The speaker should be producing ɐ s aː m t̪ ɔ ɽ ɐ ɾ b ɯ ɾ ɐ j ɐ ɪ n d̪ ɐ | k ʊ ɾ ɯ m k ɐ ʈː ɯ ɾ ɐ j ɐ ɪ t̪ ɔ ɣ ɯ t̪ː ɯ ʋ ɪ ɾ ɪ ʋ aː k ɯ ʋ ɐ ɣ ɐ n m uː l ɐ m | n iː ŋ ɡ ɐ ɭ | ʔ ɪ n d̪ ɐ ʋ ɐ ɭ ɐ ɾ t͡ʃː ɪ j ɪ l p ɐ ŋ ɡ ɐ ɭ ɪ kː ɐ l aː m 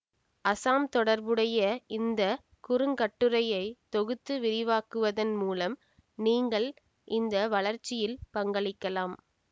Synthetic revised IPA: ɐ s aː m t̪ ɔ ɽ ɐ ɾ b ɯ ɽ ɐ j ɐ ɪ n d̪ ɐ | k ʊ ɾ ɯ ŋ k ɐ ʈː ɯ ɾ ɐ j ɐ ɪ t̪ ɔ ɣ ɯ t̪ː ɯ ʋ ɪ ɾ ɪ ʋ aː k ɯ ʋ ɐ ð ɐ n m uː l ɐ m | n iː ŋ ɡ ɐ ɭ | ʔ ɪ n d̪ ɐ ʋ ɐ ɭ ɐ ɾ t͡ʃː ɪ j ɪ l p ɐ ŋ ɡ ɐ ɭ ɪ kː ɐ l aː m